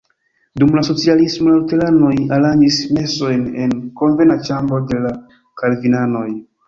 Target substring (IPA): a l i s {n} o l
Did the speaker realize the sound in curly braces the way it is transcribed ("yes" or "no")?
no